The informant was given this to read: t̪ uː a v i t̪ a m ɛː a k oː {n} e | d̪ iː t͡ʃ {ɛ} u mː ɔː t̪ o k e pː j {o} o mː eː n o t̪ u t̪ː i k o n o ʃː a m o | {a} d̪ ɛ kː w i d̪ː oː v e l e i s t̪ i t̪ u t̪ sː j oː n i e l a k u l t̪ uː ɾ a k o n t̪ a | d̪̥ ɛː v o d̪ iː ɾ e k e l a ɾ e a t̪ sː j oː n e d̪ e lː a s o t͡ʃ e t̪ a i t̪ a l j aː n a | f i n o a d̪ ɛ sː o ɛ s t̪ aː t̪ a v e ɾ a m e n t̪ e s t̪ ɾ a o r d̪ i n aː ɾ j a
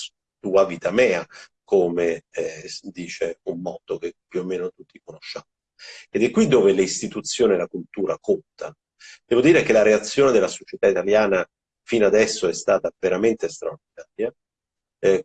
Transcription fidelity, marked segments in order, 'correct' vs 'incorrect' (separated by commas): incorrect, incorrect, incorrect, incorrect